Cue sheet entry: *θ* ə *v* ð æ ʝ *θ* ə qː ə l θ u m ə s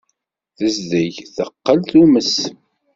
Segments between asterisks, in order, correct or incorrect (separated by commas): correct, incorrect, correct